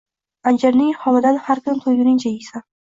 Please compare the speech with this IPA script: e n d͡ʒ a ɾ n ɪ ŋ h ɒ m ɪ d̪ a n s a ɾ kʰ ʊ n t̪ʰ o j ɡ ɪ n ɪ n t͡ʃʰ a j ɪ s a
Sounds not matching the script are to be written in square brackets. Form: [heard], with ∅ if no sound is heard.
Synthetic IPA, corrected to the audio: [a] n d͡ʒ a ɾ n ɪ ŋ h ɒ m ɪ d̪ a n [h] a ɾ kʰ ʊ n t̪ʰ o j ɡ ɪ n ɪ [ŋ] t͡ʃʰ a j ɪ s a